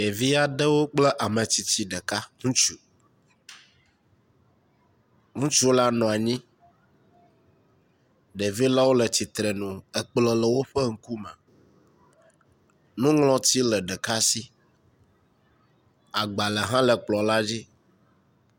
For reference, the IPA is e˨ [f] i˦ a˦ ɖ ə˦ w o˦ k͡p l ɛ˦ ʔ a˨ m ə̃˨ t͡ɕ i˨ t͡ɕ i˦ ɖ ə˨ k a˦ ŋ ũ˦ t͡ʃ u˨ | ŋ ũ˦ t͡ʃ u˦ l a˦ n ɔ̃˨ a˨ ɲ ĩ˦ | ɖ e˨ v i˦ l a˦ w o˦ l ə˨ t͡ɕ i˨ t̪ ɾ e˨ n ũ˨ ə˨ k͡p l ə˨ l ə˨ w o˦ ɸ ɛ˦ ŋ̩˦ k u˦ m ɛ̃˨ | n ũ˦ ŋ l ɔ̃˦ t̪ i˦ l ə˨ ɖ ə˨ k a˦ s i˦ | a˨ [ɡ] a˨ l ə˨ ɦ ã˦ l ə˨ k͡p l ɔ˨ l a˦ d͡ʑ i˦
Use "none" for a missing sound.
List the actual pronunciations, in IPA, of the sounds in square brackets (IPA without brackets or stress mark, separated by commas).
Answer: v, ɡ͡b